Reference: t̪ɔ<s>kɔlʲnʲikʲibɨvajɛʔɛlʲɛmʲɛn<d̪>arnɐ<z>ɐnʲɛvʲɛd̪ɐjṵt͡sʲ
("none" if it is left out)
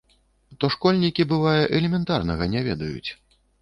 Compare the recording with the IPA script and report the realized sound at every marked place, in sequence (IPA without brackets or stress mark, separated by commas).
ʂ, t̪, ɣ